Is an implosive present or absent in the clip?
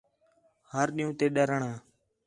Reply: present